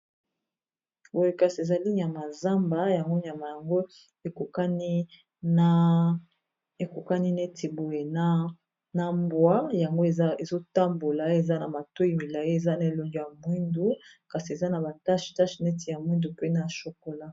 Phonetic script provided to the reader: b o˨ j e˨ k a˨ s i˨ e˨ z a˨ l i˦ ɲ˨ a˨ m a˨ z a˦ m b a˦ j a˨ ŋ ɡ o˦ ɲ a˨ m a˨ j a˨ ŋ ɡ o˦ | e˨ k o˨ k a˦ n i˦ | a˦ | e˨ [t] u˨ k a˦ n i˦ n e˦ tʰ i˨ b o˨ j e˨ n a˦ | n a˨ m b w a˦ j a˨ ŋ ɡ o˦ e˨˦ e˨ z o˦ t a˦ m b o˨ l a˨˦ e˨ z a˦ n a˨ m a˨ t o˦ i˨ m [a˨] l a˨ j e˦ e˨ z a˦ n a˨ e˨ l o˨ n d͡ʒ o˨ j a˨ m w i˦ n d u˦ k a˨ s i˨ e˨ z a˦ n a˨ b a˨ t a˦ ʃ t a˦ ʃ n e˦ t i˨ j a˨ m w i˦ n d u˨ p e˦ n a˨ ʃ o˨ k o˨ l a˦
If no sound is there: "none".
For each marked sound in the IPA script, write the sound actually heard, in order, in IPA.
k, i˨

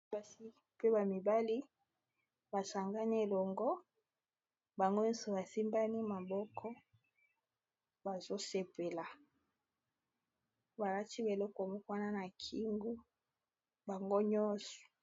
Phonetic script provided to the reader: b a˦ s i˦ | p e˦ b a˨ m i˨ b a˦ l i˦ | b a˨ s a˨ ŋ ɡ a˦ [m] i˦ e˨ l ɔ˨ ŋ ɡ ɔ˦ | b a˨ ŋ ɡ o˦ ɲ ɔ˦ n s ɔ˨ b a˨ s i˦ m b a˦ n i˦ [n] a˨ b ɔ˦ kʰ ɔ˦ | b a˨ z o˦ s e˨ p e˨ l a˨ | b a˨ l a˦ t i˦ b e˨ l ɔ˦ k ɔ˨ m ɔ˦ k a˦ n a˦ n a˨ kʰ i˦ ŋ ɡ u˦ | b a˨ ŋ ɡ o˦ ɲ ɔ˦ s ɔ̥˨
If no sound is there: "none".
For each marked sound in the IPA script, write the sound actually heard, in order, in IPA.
n, m

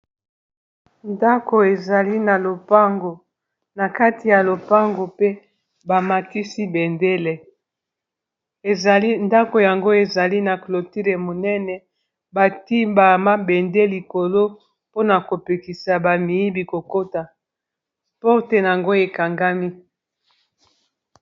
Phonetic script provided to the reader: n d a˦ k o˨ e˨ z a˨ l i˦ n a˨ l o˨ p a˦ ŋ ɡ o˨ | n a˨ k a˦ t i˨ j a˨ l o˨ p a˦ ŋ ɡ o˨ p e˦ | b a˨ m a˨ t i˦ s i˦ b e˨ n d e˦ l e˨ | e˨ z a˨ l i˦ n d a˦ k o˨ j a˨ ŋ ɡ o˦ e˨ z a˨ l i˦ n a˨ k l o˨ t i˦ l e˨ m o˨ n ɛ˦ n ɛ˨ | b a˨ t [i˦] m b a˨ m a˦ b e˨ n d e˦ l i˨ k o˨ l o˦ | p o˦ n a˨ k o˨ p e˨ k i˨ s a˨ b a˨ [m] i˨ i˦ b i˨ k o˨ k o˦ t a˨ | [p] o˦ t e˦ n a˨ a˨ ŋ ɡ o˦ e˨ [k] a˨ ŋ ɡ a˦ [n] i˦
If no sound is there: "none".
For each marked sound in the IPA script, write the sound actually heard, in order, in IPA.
i˦, m, p, k, m

